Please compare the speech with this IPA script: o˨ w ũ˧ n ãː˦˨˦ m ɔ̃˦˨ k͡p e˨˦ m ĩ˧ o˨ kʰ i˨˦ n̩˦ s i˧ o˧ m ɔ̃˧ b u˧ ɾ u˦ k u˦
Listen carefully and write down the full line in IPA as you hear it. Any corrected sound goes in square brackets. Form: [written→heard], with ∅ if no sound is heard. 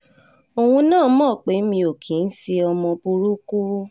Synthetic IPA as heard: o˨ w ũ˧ n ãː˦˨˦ m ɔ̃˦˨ k͡p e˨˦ m ĩ˧ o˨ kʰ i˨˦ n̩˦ s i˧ [o˧→ɔ˧] m ɔ̃˧ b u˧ ɾ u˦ k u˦